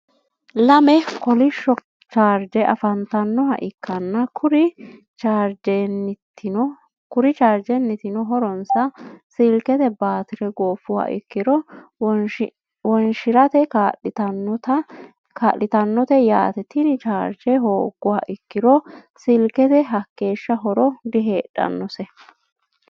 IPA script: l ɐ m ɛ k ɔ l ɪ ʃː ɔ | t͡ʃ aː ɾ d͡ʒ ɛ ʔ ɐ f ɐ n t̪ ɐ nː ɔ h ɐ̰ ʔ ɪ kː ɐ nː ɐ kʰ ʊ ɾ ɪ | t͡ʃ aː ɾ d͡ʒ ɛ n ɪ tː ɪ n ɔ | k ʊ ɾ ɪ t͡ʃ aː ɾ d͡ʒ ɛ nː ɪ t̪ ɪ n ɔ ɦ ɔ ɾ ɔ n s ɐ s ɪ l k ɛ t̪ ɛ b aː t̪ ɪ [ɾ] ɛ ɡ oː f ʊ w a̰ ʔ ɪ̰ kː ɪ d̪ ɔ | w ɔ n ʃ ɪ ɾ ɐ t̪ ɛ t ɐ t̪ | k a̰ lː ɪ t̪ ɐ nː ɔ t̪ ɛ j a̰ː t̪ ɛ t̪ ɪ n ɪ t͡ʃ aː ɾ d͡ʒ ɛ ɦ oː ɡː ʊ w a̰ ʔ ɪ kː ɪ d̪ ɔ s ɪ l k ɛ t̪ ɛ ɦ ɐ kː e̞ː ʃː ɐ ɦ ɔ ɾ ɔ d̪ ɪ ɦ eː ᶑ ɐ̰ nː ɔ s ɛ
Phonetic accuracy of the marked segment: correct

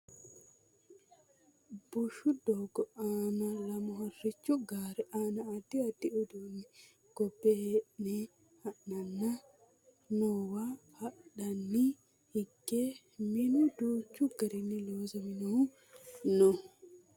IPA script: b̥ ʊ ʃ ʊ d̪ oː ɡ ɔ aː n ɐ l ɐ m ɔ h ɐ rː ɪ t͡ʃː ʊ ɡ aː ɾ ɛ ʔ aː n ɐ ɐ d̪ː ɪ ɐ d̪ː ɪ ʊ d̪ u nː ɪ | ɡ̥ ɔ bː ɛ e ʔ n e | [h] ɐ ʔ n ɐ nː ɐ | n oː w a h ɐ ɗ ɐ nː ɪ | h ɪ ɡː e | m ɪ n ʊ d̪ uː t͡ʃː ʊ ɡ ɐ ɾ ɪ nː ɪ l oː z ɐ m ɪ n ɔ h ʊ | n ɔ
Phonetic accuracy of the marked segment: correct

